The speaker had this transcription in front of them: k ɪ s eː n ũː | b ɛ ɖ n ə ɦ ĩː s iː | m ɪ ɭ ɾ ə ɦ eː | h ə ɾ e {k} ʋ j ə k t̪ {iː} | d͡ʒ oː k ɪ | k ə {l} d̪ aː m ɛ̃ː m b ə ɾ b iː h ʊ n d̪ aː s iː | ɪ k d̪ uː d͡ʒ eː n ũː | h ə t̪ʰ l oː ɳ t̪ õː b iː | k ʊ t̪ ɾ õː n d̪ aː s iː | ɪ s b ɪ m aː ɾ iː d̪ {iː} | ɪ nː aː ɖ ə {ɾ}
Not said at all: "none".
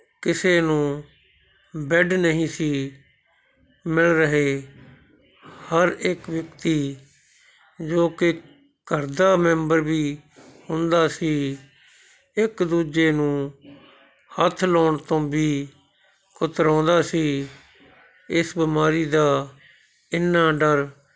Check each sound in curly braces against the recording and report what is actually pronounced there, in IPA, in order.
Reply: k, iː, ɾ, aː, ɾ

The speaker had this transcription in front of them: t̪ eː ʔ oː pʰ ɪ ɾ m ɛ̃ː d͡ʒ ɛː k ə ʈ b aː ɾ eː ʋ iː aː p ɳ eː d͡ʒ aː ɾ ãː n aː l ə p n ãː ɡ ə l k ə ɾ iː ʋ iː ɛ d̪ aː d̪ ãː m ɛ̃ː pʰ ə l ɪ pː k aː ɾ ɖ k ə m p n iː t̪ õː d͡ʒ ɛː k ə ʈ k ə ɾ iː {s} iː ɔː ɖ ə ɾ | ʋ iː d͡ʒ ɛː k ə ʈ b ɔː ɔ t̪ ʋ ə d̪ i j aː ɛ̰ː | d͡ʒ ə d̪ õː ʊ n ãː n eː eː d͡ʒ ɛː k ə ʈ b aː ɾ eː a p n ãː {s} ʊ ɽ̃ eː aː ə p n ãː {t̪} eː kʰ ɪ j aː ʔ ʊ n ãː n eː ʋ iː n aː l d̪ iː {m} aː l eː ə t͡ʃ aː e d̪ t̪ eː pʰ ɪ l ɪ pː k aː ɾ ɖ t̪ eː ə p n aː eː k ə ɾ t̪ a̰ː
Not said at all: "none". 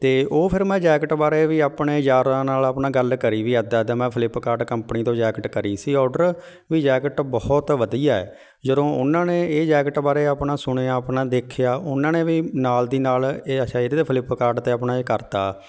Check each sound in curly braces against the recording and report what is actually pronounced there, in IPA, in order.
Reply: s, s, d̪, n

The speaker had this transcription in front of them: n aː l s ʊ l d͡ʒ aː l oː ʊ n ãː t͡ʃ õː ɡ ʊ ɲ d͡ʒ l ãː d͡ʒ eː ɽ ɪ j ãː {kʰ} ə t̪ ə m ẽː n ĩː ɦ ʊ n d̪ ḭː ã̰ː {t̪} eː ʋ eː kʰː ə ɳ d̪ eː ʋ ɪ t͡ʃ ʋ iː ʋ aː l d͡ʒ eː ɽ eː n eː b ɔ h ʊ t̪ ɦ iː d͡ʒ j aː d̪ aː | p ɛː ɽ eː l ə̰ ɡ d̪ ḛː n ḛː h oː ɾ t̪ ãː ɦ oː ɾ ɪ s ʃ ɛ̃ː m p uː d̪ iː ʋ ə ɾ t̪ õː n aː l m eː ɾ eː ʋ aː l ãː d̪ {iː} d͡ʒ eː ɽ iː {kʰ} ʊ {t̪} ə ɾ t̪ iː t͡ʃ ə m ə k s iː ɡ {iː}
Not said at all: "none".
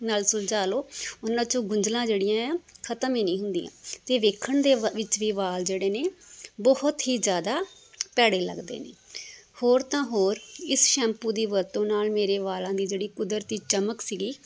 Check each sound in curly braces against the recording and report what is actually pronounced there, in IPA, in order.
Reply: kʰ, t̪, iː, k, d̪, iː

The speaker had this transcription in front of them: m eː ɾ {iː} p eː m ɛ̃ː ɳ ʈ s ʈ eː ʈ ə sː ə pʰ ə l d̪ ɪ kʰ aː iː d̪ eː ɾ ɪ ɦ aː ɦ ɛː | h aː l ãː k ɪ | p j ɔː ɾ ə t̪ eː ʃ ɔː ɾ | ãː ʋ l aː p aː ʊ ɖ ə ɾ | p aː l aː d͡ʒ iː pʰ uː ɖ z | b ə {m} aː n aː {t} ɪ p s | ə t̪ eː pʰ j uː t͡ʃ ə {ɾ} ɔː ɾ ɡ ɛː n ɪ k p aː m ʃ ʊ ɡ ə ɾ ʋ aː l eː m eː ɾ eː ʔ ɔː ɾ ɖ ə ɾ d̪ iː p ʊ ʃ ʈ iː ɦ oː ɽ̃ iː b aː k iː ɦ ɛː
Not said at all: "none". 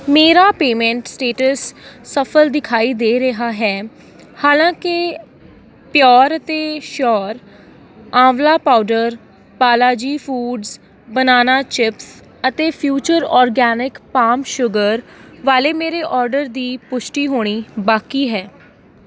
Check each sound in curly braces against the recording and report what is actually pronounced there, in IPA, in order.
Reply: aː, n, t͡ʃ, ɾ

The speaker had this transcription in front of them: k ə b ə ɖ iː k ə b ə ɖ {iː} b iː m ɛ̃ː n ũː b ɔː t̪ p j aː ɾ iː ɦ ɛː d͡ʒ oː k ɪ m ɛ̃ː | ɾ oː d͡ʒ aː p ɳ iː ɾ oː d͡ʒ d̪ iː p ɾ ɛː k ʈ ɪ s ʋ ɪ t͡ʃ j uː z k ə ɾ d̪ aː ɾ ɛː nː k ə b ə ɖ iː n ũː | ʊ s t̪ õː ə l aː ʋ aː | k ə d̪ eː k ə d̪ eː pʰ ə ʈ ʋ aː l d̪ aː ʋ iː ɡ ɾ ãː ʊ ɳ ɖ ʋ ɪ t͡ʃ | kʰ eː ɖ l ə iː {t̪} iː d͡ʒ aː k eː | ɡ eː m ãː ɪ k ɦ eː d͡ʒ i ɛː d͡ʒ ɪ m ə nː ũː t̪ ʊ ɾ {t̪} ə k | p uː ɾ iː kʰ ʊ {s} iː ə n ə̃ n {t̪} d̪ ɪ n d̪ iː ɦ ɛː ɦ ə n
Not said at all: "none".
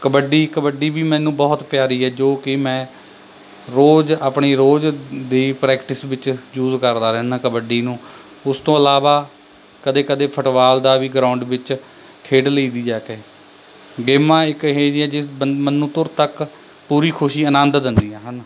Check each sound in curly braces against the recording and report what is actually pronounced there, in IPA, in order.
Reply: iː, d̪, t̪, ʃ, d̪

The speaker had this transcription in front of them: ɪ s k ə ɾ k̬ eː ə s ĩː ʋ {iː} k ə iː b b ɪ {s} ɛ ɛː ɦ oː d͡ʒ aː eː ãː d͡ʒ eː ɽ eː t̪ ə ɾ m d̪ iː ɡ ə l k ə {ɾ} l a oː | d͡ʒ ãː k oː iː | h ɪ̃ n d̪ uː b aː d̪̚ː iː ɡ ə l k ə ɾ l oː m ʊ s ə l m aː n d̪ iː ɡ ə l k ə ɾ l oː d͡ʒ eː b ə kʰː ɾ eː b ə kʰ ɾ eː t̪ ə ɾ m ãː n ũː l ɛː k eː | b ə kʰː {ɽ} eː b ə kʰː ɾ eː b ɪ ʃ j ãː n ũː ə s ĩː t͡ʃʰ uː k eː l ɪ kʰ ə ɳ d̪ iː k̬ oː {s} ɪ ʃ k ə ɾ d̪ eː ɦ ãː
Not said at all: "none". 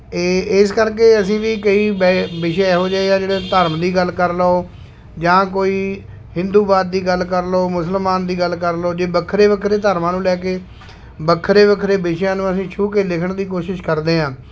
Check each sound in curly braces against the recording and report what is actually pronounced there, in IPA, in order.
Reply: iː, ʃ, ɾ, ɾ, ʃ

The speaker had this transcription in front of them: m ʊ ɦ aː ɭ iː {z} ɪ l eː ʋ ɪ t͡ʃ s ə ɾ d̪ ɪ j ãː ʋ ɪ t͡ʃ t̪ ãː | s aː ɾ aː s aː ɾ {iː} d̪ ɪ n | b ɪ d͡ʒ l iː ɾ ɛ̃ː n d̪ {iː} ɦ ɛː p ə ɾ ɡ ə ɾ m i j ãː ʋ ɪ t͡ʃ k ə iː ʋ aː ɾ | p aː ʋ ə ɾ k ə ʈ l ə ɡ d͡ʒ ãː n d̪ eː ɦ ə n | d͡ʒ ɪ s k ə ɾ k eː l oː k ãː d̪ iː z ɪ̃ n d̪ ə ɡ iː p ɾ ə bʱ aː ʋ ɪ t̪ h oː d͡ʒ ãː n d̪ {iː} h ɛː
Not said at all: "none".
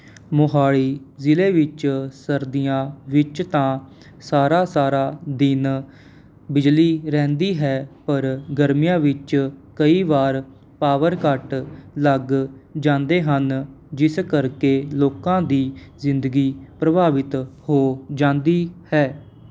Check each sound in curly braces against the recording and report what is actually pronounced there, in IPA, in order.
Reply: z, aː, iː, iː

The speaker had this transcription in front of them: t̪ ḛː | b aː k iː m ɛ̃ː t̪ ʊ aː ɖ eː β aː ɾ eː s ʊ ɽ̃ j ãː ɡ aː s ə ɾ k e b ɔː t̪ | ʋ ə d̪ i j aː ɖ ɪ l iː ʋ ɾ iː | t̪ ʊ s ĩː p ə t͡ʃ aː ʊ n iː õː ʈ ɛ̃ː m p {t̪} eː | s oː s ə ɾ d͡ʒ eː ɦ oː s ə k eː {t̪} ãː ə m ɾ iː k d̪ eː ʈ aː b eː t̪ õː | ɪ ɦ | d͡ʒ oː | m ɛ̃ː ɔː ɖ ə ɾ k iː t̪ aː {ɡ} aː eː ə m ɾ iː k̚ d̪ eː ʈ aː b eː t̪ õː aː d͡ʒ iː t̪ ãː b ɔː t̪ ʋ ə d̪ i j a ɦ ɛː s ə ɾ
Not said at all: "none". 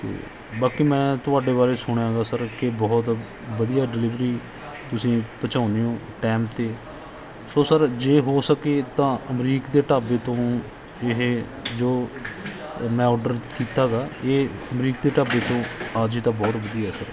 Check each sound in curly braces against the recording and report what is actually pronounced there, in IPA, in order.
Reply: t̪, t̪, ɡ

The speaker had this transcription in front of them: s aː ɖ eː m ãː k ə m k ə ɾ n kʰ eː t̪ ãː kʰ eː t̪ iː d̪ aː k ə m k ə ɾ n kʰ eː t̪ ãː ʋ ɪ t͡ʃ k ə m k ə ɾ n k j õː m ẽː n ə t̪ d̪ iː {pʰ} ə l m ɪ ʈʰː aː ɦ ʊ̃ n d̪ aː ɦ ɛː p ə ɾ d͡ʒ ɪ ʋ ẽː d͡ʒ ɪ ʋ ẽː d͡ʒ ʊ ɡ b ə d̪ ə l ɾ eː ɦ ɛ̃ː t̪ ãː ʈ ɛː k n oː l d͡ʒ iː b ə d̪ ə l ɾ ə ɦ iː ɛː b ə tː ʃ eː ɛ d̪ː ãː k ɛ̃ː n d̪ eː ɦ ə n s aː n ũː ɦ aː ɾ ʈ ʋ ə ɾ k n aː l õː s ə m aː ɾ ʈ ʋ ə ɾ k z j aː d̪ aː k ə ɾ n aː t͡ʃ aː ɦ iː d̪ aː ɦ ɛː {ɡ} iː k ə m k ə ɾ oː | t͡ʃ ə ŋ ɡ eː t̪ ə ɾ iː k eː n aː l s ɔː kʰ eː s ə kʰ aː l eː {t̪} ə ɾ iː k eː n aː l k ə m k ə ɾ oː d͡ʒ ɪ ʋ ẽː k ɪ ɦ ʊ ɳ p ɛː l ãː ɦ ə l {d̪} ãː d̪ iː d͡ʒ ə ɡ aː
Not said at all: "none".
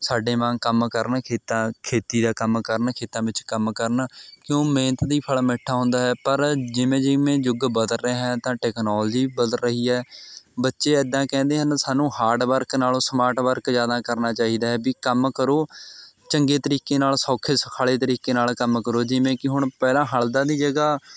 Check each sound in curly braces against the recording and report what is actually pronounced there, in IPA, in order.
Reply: pʰ, b, t̪, d̪

